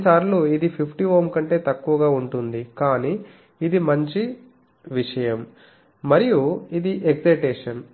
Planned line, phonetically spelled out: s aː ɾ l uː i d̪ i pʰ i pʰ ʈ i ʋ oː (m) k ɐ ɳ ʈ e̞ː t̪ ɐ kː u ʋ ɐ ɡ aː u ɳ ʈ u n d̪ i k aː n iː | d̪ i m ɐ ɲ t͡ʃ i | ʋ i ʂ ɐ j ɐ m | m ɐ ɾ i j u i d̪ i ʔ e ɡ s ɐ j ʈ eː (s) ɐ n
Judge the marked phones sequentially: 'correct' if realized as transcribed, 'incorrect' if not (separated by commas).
correct, incorrect